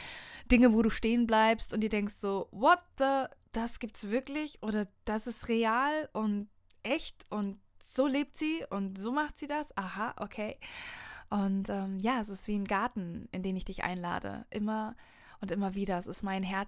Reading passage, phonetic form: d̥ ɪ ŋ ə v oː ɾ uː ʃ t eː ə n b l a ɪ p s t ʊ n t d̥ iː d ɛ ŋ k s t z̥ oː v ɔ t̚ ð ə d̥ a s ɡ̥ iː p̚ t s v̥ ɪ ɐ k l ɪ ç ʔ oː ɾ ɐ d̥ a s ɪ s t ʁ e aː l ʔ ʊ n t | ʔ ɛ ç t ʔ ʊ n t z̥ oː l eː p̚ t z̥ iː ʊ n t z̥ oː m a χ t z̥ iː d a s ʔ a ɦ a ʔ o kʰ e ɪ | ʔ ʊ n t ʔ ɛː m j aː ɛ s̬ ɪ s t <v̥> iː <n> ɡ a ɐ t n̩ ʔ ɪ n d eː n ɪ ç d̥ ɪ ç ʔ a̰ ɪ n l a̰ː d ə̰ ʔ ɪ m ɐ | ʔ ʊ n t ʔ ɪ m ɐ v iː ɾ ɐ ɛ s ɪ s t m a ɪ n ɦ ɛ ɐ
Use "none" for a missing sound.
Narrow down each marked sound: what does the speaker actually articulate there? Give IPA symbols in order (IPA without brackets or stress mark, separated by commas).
v̥, n